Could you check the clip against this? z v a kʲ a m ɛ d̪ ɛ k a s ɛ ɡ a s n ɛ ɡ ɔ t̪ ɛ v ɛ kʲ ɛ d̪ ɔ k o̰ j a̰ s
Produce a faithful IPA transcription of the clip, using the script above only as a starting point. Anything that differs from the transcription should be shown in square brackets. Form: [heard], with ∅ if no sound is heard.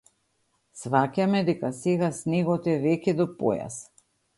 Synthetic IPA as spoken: [s] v a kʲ a m ɛ d̪ ɛ k a s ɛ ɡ a s n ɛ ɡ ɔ t̪ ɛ v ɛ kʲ ɛ d̪ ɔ [p] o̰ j a̰ s

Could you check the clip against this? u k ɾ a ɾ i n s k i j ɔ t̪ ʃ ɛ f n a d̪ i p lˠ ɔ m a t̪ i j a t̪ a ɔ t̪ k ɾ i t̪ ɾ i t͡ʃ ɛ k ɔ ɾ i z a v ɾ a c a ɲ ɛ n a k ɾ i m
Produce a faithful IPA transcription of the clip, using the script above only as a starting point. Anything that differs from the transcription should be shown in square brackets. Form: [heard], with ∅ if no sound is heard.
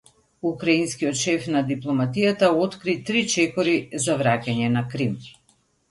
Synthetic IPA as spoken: u k ɾ a [∅] i n s k i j ɔ t̪ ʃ ɛ f n a d̪ i p lˠ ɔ m a t̪ i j a t̪ a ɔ t̪ k ɾ i t̪ ɾ i t͡ʃ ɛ k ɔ ɾ i z a v ɾ a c a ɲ ɛ n a k ɾ i m

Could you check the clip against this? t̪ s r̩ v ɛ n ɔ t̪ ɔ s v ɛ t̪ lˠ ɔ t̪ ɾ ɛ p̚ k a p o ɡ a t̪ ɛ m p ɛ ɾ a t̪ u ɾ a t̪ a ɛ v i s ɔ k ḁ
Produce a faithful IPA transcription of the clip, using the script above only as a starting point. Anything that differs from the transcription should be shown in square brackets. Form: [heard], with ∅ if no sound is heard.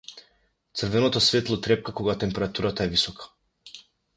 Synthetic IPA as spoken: t̪ s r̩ v ɛ n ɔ t̪ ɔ s v ɛ t̪ lˠ ɔ t̪ ɾ ɛ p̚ k a [k] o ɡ a t̪ ɛ m p ɛ ɾ a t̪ u ɾ a t̪ a ɛ v i s ɔ k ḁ

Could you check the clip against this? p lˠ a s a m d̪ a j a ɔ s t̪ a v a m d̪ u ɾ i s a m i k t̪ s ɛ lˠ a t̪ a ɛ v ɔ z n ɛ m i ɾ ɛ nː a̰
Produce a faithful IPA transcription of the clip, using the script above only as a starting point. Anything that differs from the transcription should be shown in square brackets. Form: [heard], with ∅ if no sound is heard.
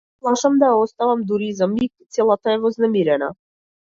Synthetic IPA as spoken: p lˠ a [ʃ] a m d̪ a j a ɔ s t̪ a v a m d̪ u ɾ i [z] a m i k t̪ s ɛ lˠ a t̪ a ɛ v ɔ z n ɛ m i ɾ ɛ [n] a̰

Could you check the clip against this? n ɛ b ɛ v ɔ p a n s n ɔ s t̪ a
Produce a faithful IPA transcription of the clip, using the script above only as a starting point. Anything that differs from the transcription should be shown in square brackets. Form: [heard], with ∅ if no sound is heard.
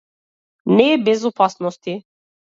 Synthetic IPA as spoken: n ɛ b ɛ [z] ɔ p a [∅] s n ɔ s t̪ [i]

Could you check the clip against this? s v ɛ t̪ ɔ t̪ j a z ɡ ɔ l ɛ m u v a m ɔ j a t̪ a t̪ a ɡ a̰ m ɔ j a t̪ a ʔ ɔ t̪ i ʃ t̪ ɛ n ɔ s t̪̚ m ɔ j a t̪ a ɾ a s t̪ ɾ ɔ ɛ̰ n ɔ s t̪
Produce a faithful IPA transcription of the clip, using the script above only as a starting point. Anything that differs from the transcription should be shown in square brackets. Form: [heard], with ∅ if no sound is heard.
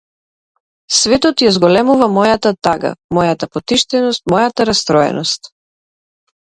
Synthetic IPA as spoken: s v ɛ t̪ ɔ t̪ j a z ɡ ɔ l ɛ m u v a m ɔ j a t̪ a t̪ a ɡ a̰ m ɔ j a t̪ a [p] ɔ t̪ i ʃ t̪ ɛ n ɔ s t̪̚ m ɔ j a t̪ a ɾ a s t̪ ɾ ɔ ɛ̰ n ɔ s t̪

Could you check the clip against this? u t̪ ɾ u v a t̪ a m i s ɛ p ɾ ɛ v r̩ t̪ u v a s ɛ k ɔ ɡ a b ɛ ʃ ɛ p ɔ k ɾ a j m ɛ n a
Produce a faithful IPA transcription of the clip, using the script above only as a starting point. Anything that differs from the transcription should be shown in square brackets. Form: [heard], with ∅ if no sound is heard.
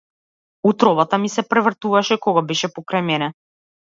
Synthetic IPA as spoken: u t̪ ɾ [ɔ] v a t̪ a m i s ɛ p ɾ ɛ v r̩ t̪ u v a [ʃ] ɛ k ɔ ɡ a b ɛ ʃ ɛ p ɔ k ɾ a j m ɛ n [ɛ]

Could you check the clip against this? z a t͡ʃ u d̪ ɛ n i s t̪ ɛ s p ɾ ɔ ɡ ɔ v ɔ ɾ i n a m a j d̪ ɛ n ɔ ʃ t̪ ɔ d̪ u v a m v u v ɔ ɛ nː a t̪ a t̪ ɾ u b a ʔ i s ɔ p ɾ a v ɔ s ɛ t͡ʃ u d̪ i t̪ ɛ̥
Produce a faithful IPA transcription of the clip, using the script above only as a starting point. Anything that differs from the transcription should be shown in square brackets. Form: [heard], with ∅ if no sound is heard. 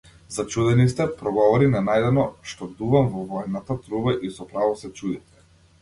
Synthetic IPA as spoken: z a t͡ʃ u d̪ ɛ n i s t̪ ɛ [∅] p ɾ ɔ ɡ ɔ v ɔ ɾ i n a [n] a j d̪ ɛ n ɔ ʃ t̪ ɔ d̪ u v a m v [ɔ] v ɔ ɛ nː a t̪ a t̪ ɾ u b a ʔ i s ɔ p ɾ a v ɔ s ɛ t͡ʃ u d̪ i t̪ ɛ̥

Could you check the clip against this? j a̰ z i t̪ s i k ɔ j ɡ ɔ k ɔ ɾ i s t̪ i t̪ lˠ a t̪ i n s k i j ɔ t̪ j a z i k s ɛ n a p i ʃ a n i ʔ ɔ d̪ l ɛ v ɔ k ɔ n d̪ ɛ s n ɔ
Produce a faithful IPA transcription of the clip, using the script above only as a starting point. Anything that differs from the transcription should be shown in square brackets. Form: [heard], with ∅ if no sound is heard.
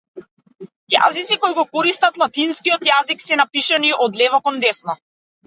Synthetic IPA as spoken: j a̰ z i t̪ s i k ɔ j ɡ ɔ k ɔ ɾ i s t̪ [a] t̪ lˠ a t̪ i n s k i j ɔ t̪ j a z i k s ɛ n a p i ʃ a n i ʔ ɔ d̪ l ɛ v ɔ k ɔ n d̪ ɛ s n ɔ

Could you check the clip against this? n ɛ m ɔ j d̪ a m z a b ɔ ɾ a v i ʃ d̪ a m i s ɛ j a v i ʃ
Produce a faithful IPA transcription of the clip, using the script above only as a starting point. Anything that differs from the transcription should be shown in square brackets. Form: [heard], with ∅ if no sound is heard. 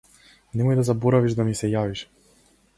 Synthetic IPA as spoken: n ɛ m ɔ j d̪ a [∅] z a b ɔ ɾ a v i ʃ d̪ a m i s ɛ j a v i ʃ

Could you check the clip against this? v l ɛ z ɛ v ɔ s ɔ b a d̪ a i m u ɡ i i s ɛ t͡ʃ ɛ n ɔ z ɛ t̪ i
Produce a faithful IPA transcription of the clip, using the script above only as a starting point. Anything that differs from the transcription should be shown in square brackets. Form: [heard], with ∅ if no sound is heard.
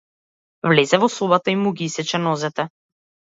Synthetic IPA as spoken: v l ɛ z ɛ v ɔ s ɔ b a [t̪] a i m u ɡ i i s ɛ t͡ʃ ɛ n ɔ z ɛ t̪ [ɛ]

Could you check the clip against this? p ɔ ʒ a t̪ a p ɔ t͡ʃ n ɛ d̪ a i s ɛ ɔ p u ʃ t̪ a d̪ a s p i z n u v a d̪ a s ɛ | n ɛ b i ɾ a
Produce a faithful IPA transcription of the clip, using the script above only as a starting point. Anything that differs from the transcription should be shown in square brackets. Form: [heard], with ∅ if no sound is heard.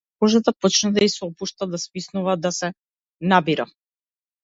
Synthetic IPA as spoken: [k] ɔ ʒ a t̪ a p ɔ t͡ʃ n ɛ d̪ a i s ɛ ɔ p u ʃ t̪ a d̪ a s p i [s] n u v a d̪ a s ɛ | n [a] b i ɾ a

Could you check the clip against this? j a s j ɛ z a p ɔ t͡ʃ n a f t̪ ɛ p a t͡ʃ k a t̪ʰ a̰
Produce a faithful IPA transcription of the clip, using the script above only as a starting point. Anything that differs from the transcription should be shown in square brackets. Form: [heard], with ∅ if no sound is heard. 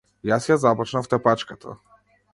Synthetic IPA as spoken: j a s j [a] z a p ɔ t͡ʃ n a f t̪ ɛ p a t͡ʃ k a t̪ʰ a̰

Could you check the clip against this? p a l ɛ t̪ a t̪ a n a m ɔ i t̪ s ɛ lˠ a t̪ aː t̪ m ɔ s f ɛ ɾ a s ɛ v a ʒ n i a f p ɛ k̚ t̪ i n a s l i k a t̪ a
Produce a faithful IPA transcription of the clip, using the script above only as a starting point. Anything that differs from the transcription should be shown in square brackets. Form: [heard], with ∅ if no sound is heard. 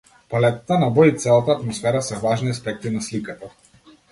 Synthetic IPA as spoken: p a l ɛ t̪ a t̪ a n a [b] ɔ i t̪ s ɛ lˠ a t̪ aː t̪ m ɔ s f ɛ ɾ a s ɛ v a ʒ n i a [s] p ɛ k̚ t̪ i n a s l i k a t̪ a

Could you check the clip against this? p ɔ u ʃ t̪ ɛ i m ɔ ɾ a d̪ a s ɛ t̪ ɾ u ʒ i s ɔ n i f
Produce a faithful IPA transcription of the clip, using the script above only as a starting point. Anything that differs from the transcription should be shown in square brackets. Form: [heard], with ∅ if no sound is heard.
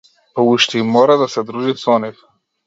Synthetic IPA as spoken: p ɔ u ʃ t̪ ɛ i m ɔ ɾ a d̪ a s ɛ [d̪] ɾ u ʒ i s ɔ n i f

